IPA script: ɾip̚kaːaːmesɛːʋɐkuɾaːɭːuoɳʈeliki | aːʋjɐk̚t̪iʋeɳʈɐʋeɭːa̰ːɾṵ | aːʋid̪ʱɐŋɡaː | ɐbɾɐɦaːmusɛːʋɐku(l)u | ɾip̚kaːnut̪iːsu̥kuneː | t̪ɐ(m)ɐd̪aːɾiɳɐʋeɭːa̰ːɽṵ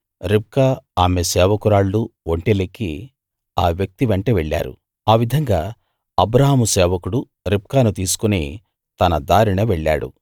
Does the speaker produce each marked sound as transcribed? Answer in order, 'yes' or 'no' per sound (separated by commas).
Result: no, no